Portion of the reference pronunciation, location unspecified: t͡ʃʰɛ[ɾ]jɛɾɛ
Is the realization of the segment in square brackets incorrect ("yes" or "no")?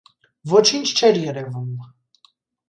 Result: no